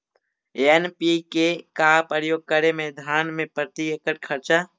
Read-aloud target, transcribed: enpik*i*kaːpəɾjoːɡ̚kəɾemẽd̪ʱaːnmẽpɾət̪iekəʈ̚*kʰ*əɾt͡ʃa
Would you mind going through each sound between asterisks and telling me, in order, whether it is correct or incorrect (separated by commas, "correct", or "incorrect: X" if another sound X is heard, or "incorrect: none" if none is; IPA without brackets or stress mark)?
incorrect: e, correct